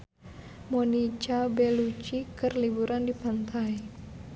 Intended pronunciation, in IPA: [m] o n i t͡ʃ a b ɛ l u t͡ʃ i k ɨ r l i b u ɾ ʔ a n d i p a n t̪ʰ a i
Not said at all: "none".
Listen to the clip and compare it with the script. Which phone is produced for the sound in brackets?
m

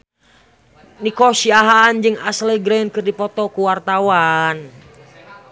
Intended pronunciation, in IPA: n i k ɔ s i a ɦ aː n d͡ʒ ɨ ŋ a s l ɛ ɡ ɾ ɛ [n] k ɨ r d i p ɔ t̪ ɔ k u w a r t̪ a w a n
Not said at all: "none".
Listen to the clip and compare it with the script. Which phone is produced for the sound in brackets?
n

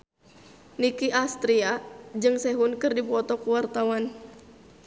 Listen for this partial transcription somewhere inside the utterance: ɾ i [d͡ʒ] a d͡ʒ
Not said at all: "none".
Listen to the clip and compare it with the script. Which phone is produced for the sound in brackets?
none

